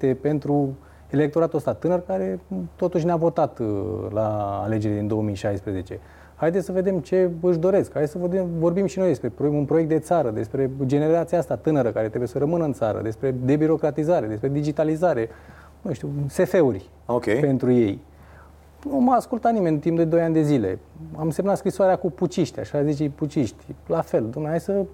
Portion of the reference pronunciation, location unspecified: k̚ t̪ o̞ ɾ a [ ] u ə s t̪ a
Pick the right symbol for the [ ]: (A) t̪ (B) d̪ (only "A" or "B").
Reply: A